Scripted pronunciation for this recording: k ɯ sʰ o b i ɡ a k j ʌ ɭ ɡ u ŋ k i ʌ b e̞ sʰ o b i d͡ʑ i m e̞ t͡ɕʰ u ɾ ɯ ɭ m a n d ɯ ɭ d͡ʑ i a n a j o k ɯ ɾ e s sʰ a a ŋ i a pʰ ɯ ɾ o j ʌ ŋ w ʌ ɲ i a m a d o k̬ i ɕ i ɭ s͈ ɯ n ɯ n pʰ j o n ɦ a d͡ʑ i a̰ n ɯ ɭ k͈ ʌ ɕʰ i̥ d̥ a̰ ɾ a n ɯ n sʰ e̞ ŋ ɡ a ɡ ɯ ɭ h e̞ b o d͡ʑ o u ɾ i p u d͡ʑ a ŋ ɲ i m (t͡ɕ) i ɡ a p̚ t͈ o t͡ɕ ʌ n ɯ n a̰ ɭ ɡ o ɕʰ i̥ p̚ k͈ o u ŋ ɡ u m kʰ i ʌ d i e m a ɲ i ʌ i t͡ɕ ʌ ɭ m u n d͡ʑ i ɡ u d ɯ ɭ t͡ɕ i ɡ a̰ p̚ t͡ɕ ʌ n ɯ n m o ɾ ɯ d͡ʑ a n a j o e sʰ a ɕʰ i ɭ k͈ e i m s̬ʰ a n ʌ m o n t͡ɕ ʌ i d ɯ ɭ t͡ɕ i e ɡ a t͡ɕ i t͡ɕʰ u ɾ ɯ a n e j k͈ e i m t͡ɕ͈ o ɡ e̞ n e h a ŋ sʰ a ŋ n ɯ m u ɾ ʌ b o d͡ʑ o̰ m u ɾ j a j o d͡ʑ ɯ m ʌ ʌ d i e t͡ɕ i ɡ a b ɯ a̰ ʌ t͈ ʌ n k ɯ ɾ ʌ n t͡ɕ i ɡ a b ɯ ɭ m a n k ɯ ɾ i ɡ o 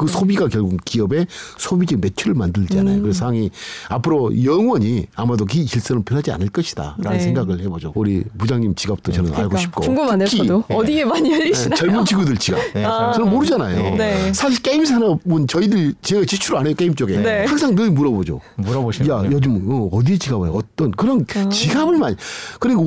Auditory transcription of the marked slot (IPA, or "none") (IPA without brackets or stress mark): t͡ɕ